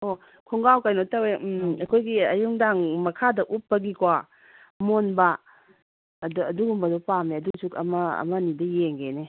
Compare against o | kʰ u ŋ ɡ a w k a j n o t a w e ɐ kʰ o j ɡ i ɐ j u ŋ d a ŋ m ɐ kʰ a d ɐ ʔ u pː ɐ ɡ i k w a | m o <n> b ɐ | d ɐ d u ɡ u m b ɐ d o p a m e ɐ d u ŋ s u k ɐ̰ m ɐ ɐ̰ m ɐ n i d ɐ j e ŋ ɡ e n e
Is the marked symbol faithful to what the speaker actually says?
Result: yes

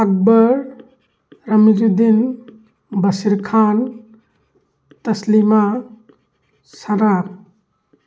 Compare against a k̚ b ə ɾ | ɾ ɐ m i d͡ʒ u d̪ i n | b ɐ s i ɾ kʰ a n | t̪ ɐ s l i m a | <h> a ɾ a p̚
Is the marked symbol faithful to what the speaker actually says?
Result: no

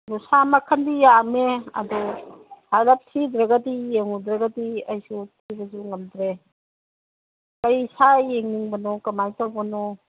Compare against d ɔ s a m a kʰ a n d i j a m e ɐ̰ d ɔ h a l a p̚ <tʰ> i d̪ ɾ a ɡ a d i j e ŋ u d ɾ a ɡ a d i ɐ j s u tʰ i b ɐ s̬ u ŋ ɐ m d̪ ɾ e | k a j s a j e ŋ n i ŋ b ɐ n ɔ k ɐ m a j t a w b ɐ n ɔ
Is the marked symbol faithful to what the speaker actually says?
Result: yes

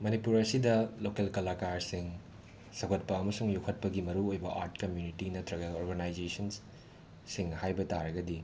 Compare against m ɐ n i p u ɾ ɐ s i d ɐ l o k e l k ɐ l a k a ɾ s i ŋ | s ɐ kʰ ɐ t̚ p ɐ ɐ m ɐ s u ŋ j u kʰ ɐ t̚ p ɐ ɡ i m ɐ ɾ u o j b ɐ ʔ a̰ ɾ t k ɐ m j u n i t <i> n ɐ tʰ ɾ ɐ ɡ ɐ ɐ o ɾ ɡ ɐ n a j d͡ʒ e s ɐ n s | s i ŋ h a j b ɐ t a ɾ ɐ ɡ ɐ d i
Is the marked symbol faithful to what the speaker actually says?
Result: yes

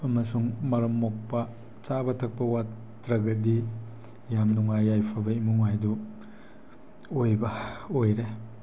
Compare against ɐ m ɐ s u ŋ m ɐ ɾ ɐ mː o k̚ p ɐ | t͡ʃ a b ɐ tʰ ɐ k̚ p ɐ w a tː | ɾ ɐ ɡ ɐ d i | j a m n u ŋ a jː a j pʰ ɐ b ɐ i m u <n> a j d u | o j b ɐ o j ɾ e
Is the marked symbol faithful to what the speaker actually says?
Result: no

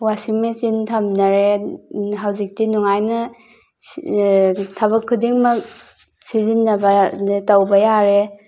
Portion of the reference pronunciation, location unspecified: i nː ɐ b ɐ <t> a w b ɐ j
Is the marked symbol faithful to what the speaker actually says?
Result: yes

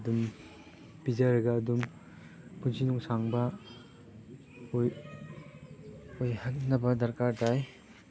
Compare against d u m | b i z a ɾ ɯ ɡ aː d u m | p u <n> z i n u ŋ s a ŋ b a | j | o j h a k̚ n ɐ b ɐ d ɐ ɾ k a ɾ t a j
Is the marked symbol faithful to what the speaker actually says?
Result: yes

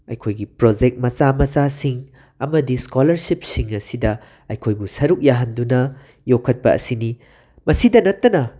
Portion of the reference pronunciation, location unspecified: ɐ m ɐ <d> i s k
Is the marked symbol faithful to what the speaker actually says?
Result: yes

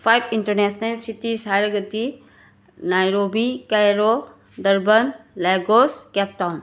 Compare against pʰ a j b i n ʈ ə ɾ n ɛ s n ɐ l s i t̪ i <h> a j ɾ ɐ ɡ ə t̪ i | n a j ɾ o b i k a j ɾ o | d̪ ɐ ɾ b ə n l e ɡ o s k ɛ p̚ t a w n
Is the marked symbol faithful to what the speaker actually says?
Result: no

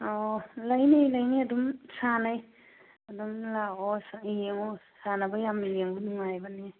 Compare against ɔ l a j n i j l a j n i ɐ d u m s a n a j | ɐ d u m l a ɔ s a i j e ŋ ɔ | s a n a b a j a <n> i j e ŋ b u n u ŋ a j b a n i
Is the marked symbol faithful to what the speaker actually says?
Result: no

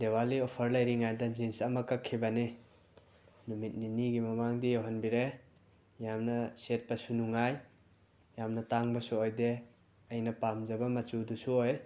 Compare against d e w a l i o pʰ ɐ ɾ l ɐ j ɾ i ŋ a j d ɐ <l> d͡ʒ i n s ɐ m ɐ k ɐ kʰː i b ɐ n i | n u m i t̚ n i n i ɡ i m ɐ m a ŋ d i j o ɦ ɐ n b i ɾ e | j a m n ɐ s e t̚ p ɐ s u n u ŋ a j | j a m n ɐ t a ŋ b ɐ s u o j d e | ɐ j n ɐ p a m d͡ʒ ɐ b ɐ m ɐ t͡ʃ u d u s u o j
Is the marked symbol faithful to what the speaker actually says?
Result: no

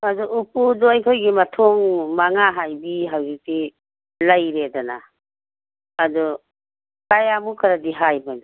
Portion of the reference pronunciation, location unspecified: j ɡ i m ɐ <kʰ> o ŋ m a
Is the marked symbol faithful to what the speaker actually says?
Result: no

